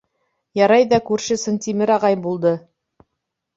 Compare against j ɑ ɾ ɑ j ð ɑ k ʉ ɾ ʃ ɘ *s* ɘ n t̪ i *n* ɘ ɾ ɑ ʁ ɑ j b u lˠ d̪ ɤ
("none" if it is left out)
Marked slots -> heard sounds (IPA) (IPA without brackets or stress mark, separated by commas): s, m